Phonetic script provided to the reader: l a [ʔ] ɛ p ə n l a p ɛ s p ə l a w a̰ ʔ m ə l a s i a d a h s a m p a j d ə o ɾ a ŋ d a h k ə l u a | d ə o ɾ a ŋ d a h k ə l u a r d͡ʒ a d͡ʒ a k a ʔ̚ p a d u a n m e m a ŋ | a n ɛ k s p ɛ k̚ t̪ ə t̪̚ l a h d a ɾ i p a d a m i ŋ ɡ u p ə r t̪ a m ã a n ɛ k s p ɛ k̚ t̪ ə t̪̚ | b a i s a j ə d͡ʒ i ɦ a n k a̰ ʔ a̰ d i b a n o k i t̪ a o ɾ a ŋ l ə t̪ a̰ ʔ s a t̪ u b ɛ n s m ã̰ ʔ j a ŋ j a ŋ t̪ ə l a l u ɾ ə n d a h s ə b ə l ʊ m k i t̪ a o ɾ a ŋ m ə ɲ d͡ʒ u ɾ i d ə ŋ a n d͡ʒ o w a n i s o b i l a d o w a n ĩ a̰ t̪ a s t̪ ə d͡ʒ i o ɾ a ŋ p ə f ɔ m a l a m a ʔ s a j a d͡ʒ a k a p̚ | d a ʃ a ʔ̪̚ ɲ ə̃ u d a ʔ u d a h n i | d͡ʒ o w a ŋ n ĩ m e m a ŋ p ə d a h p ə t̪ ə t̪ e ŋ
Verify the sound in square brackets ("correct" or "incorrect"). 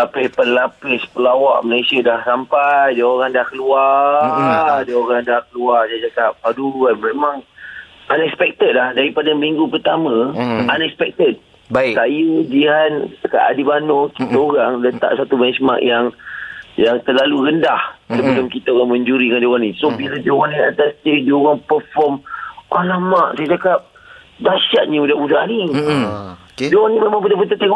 incorrect